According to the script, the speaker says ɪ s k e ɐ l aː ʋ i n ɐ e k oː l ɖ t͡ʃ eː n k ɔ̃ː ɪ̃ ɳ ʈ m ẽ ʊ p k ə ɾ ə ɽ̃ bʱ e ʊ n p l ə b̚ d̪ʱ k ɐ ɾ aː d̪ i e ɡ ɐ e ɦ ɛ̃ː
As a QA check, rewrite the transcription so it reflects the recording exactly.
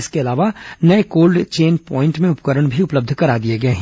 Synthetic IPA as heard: ɪ s k e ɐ l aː ʋ a n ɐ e k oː l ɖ t͡ʃ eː n p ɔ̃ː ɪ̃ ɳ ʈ m ẽ ʊ p k ə ɾ ə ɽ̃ bʱ i ʊ p l ə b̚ d̪ʱ k ɐ ɾ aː d̪ i e ɡ ɐ e ɦ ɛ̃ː